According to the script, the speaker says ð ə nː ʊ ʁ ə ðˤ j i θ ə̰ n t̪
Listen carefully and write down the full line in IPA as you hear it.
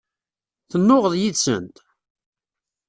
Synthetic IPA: θ ə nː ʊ ʁ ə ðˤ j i s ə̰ n t̪